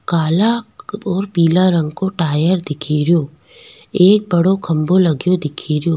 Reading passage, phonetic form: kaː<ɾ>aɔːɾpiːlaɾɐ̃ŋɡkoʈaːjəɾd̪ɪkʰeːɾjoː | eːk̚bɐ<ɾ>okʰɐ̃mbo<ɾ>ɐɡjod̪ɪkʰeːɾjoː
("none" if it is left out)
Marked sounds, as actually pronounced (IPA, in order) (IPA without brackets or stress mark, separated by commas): l, ɽ, l